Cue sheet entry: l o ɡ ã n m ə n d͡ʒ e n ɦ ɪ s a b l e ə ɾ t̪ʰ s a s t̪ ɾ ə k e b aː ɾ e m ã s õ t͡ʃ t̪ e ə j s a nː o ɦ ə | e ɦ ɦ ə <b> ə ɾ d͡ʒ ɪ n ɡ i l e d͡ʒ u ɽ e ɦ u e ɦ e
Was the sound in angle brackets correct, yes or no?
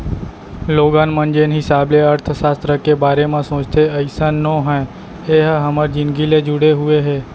no